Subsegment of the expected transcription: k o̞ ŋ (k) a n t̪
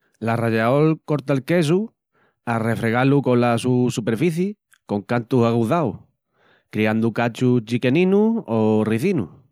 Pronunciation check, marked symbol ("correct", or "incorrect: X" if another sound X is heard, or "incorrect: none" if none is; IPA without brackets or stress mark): correct